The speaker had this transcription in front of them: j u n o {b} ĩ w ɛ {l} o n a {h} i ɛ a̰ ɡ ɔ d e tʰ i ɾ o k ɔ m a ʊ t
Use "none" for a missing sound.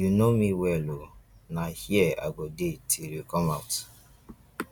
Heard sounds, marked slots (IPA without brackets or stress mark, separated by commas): m, l, h